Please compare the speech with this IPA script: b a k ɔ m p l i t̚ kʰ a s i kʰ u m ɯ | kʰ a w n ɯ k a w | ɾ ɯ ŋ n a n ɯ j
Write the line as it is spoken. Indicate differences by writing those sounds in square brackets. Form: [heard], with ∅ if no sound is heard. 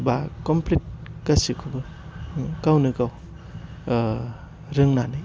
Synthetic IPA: b a k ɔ m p l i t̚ [k] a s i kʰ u [b] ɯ | [k] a w n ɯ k a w | ɾ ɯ ŋ n a n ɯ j